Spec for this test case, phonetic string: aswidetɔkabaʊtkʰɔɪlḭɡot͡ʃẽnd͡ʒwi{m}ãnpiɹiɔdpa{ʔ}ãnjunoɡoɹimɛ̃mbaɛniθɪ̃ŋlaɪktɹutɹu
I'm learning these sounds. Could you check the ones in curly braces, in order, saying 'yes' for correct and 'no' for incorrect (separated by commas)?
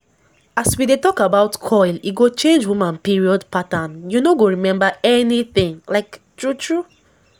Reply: yes, no